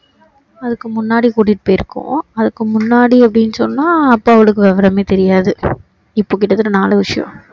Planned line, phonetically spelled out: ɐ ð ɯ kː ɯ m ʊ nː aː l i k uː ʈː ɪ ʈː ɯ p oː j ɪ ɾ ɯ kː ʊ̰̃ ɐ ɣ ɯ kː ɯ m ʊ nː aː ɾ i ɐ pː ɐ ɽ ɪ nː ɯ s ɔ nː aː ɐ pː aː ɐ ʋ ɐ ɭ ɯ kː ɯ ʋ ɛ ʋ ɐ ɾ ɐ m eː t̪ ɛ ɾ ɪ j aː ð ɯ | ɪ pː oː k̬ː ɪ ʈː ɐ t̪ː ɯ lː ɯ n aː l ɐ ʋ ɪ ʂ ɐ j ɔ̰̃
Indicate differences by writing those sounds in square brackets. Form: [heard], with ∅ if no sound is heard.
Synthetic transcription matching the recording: ɐ ð ɯ kː ɯ m ʊ nː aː [ɽ] i k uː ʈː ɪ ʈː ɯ p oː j ɪ ɾ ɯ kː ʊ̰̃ ɐ [ð] ɯ kː ɯ m ʊ nː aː [ɽ] i ɐ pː ɐ ɽ ɪ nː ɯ s ɔ nː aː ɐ pː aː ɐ ʋ ɐ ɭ ɯ kː ɯ ʋ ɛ ʋ ɐ ɾ ɐ m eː t̪ ɛ ɾ ɪ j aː ð ɯ | ɪ pː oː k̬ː ɪ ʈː ɐ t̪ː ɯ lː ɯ n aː l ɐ ʋ ɪ ʂ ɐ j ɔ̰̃